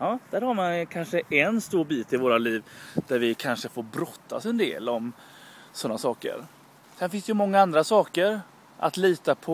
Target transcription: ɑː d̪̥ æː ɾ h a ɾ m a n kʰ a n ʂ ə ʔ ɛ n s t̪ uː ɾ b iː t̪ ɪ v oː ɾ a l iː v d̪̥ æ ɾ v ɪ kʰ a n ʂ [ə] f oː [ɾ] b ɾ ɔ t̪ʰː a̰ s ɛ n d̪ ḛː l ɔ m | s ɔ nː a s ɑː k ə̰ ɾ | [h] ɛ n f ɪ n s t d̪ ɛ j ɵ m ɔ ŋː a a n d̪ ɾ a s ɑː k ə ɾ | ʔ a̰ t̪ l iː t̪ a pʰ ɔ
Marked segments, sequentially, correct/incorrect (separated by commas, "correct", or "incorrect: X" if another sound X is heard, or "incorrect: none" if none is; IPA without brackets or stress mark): correct, correct, incorrect: s